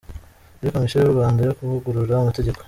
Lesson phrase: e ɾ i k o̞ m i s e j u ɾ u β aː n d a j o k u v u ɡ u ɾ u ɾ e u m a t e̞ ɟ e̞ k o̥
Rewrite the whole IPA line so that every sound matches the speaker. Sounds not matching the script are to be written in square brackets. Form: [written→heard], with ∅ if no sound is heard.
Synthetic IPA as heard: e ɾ i k o̞ m i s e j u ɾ u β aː n d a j o k u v u ɡ u ɾ u ɾ [e→a] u m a t e̞ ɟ e̞ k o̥

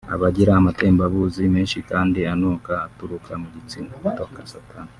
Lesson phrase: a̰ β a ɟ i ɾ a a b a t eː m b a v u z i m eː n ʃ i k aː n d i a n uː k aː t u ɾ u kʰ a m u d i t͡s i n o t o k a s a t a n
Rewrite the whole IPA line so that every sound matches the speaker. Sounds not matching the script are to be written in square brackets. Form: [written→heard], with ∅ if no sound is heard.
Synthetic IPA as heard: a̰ β a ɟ i ɾ a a [b→m] a t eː m b a [v→β] u z i m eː n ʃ i k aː n d i a n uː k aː t u ɾ u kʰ a m u [d→ɟ] i t͡s i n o t o k a s a t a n

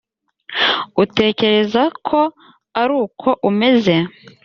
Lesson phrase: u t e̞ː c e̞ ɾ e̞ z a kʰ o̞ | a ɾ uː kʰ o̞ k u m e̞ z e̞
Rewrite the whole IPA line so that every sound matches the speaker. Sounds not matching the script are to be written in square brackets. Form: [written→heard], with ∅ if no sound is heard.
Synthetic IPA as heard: u t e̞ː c e̞ ɾ e̞ z a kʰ o̞ | a ɾ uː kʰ o̞ [k→ʔ] u m e̞ z e̞

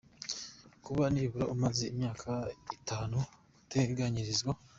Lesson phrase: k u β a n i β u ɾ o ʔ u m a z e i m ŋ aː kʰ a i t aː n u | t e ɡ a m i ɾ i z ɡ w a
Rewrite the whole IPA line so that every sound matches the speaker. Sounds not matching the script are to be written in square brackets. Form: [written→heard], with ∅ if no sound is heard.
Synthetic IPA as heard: k u β a n i β u ɾ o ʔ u m a z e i m [ŋ→ɲ] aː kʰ a i t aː n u | t e ɡ a [m→ɲ] i ɾ i z ɡ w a

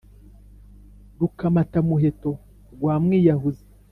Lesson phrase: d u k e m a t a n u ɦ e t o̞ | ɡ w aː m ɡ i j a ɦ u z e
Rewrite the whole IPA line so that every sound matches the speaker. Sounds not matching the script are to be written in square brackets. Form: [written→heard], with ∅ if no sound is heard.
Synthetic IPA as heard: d u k [e→a] m a t a [n→m] u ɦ e t o̞ | ɡ w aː m [ɡ→ŋ] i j a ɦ u z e

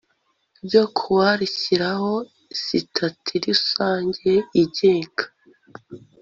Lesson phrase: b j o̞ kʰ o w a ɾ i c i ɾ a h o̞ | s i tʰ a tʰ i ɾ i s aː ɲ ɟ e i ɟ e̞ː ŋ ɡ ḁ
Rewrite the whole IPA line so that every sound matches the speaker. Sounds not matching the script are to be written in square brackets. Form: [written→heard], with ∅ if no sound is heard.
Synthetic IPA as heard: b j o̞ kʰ [o→u] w a ɾ i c i ɾ a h o̞ | s i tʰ a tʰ i ɾ i s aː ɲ ɟ e i ɟ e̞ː ŋ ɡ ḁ

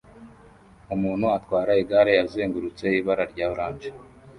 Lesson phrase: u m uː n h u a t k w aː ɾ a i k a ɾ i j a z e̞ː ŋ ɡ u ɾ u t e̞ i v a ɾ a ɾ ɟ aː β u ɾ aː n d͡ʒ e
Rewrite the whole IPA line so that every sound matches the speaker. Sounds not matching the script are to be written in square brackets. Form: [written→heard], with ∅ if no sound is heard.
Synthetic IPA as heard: u m uː n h u a t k w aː ɾ a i [k→ɡ] a ɾ [i→e] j a z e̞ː ŋ ɡ u ɾ u [t→t͡s] e̞ i [v→β] a ɾ a ɾ ɟ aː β u ɾ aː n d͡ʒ e

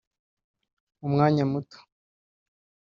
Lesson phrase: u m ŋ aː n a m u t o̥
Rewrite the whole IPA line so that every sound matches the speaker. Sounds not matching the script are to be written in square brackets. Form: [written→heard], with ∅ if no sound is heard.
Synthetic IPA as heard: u m ŋ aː [n→ɲ] a m u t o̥

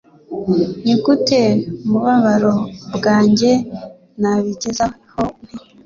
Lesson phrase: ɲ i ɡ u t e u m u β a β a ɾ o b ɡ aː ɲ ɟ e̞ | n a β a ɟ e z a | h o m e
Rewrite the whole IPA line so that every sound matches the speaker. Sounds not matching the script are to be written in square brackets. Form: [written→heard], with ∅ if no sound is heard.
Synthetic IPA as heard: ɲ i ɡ u t e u m u β a β a ɾ o b ɡ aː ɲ ɟ e̞ | n a β [a→i] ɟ e z a | h o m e

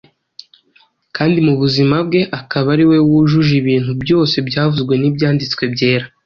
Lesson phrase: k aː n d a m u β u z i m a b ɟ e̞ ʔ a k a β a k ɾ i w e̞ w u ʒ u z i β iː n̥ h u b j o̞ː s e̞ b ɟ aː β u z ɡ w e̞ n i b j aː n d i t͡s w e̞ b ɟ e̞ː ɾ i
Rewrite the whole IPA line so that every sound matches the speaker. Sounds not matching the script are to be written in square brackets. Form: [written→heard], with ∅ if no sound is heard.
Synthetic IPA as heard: k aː n d [a→i] m u β u z i m a b [ɟ→ɡ] e̞ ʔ a k a β a [k→∅] ɾ i w e̞ w u ʒ u [z→ʒ] i β iː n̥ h u b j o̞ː s e̞ b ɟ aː [β→v] u z ɡ w e̞ n i b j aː n d i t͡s w e̞ b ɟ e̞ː ɾ [i→a]

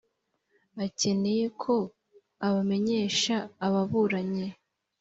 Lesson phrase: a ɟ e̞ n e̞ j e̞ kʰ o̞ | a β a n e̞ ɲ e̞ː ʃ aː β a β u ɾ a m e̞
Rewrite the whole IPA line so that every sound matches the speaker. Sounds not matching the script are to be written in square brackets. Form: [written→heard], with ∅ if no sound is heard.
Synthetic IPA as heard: a [ɟ→c] e̞ n e̞ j e̞ kʰ o̞ | a β a [n→m] e̞ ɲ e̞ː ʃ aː β a β u ɾ a [m→ɲ] e̞

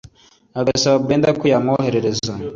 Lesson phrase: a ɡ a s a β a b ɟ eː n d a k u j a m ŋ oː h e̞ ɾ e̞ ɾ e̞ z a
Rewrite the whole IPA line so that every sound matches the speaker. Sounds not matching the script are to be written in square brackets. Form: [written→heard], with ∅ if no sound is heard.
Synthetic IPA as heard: a ɡ a s a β a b [ɟ→ɡ] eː n d a k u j a m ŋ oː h e̞ ɾ e̞ ɾ e̞ z a

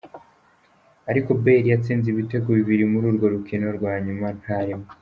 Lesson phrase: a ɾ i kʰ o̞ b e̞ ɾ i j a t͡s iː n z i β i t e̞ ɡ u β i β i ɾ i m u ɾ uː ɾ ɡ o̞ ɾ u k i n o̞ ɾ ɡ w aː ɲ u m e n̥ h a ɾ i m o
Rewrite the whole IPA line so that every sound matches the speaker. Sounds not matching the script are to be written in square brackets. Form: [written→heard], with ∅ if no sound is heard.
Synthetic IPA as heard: a ɾ i [kʰ→k] o̞ b e̞ ɾ i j a t͡s iː n z i β i t e̞ ɡ u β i β i ɾ i m u ɾ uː ɾ ɡ o̞ ɾ u k i n o̞ ɾ ɡ w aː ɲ u m [e→a] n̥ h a ɾ i m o

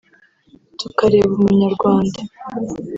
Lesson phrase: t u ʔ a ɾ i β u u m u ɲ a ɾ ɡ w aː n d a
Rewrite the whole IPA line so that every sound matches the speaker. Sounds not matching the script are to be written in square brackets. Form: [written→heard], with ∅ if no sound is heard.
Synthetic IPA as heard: t u [ʔ→k] a ɾ [i→e] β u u m u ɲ a ɾ ɡ w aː n d a

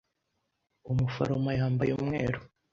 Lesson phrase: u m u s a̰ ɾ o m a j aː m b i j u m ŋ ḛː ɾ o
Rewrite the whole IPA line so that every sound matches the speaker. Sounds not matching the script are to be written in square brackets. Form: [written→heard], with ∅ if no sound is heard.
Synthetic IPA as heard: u m u [s→f] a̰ ɾ o m a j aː m b [i→a] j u m ŋ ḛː ɾ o

